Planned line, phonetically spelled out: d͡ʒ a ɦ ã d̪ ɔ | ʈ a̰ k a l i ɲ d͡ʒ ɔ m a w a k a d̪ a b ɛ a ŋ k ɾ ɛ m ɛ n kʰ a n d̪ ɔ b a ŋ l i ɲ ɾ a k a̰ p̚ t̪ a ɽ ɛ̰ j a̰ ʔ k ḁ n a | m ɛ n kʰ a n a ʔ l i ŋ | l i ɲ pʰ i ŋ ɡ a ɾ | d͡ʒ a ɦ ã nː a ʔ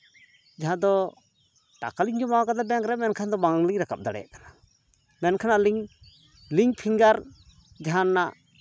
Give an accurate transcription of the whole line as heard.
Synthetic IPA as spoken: d͡ʒ a ɦ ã d̪ ɔ | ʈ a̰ k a l i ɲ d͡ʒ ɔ m a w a k a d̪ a b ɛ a ŋ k ɾ ɛ m ɛ n kʰ a n d̪ ɔ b a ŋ l i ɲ ɾ a k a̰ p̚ d̪ a ɽ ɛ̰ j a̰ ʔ k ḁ n a | m ɛ n kʰ a n a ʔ l i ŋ | l i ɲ pʰ i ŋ ɡ a ɾ | d͡ʒ a ɦ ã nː a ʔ